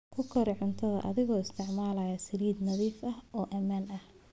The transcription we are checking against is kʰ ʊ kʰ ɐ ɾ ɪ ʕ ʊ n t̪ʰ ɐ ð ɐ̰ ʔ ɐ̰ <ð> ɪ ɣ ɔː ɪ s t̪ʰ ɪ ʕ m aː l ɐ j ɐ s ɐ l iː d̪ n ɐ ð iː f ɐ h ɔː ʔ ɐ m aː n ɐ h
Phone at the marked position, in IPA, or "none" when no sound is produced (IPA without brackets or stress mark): ð